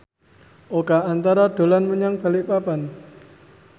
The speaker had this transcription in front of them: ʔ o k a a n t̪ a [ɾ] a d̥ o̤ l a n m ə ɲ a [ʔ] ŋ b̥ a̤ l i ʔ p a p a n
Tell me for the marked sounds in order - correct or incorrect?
correct, incorrect

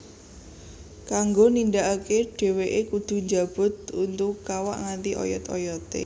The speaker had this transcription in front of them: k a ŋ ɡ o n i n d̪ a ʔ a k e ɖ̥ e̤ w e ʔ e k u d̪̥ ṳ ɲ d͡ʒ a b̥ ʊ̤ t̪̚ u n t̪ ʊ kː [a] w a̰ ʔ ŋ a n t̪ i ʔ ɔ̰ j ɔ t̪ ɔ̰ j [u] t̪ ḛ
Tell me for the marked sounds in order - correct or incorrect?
correct, incorrect

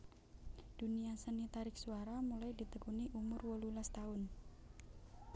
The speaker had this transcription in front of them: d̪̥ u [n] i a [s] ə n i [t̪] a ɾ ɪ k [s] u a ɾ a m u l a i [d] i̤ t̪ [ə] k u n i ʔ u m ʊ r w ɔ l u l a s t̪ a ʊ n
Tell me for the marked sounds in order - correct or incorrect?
correct, correct, correct, correct, correct, correct

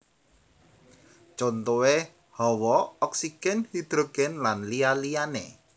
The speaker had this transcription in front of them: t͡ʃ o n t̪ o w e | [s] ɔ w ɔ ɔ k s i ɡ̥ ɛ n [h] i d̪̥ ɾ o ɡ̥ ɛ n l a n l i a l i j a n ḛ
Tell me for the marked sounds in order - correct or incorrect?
incorrect, correct

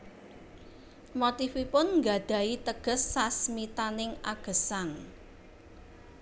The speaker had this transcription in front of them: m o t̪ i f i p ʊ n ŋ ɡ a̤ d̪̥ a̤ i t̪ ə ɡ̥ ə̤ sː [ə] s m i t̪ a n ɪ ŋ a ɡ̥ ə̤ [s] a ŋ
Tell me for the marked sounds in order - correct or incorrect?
incorrect, correct

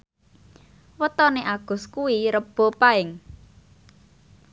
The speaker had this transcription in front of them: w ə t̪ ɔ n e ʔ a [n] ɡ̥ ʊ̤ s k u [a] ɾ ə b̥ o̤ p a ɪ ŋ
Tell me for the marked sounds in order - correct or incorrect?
incorrect, incorrect

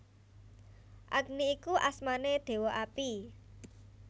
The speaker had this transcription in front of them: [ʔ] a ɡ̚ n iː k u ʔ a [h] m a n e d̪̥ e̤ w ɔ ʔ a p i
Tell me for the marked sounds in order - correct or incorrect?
correct, incorrect

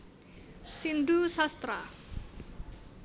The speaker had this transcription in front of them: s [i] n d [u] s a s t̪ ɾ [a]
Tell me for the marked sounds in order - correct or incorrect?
correct, correct, correct

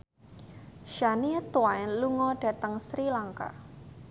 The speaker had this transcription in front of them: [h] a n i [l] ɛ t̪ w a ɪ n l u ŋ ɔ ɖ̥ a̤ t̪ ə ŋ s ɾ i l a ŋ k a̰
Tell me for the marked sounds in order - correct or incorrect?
incorrect, incorrect

